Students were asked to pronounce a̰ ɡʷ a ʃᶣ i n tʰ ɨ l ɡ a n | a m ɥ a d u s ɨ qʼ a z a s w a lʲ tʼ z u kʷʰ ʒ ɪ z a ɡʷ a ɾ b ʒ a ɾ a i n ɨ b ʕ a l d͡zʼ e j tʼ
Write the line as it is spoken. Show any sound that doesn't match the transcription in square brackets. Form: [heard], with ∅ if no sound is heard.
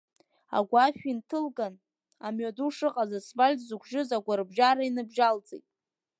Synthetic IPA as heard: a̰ ɡʷ a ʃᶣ i n tʰ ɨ l ɡ a n | a m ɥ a d u [ʂ] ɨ qʼ a z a s [v] a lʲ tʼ z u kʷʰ ʒ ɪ z a ɡʷ a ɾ b ʒ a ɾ a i n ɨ b [ʒ] a l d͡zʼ e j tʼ